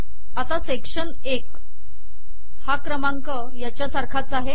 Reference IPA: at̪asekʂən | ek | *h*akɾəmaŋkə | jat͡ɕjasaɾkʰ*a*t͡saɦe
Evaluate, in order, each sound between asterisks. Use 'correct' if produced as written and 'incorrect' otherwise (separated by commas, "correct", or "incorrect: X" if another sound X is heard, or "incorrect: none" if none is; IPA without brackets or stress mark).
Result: correct, correct